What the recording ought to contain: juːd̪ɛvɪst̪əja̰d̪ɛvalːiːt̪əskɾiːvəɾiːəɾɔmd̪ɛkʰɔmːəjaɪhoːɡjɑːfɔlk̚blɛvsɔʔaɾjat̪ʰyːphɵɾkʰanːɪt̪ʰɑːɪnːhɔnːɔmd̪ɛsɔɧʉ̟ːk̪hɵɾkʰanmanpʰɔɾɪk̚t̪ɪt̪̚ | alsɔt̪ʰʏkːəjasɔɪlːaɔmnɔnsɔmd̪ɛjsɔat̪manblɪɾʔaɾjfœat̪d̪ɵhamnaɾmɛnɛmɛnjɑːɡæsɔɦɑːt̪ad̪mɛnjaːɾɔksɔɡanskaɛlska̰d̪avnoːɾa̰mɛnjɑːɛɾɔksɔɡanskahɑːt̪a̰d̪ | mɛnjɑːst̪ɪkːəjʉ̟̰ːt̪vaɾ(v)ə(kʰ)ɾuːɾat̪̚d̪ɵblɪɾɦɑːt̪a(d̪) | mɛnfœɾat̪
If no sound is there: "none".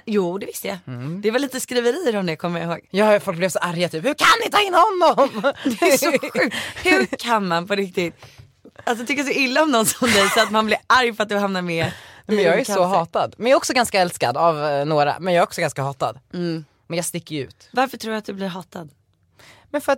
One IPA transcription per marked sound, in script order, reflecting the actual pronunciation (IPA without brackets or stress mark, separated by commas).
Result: f, ʈʰ, d̪